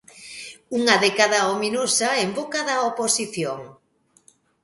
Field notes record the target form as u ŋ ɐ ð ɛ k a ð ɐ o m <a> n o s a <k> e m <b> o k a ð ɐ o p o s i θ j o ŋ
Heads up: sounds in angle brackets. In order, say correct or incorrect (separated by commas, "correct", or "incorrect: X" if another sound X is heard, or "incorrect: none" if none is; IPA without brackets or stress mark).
incorrect: i, incorrect: none, correct